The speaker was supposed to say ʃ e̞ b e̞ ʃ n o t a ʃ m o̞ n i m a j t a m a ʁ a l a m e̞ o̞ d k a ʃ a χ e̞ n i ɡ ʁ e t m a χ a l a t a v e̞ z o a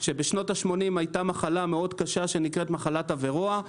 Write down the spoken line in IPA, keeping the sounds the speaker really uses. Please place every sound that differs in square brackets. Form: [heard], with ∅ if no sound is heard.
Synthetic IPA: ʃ e̞ b e̞ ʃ n o t a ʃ m o̞ n i m a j t a m a [χ] a l a m e̞ o̞ d k a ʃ a [ʃ] e̞ n i [k] ʁ e t m a χ a l a t a v e̞ [ʁ] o a